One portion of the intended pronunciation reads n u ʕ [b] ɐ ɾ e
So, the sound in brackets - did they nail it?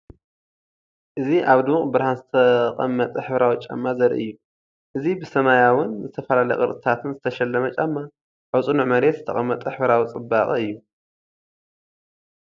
no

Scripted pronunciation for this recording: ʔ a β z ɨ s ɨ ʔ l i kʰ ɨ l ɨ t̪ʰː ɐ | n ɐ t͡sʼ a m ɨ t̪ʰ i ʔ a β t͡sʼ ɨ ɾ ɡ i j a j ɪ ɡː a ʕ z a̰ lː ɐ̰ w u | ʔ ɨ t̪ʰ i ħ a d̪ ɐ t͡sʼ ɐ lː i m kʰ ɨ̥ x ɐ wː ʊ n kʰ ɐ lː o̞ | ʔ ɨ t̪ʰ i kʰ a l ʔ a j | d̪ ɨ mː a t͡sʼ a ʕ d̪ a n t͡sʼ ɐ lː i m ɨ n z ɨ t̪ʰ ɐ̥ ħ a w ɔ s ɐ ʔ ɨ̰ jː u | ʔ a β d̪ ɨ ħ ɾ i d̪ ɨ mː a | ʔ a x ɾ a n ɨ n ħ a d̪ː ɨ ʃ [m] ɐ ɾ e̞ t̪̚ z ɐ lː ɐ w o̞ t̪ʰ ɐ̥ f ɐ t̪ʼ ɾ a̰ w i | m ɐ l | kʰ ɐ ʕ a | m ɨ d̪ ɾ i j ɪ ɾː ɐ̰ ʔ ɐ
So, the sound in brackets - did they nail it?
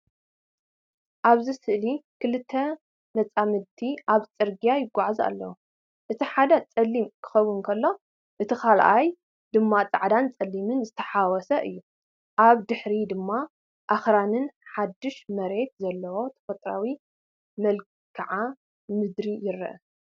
yes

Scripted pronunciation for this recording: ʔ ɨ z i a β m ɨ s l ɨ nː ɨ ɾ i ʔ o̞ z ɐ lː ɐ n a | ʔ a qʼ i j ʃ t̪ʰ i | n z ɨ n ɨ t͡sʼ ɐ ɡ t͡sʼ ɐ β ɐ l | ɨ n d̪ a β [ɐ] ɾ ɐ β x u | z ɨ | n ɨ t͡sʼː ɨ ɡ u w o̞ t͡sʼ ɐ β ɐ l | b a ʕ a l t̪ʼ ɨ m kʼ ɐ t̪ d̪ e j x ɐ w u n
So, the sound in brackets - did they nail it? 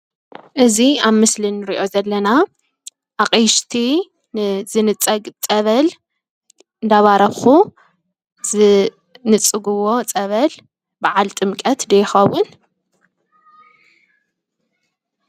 no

